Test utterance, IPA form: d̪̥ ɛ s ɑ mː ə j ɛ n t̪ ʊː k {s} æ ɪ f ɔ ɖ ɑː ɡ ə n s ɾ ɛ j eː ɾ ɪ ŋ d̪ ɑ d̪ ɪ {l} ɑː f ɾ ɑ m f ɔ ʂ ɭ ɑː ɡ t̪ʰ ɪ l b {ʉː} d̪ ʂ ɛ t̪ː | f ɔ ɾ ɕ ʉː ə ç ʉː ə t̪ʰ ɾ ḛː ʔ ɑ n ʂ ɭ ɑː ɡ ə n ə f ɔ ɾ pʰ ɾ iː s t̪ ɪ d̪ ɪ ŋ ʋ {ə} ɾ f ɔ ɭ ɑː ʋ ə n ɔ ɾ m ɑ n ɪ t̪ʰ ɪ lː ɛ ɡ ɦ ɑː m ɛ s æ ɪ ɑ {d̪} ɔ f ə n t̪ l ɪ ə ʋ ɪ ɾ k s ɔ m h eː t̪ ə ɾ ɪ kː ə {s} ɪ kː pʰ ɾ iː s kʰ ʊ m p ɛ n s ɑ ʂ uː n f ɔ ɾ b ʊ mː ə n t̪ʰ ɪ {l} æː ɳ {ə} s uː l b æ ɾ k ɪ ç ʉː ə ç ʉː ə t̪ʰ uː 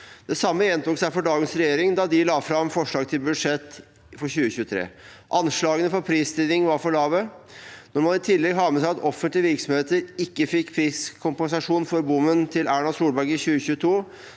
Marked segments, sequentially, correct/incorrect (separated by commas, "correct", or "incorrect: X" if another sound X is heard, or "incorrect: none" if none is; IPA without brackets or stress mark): correct, correct, incorrect: ʉ, incorrect: ɑ, incorrect: t̪, incorrect: f, correct, incorrect: ɑ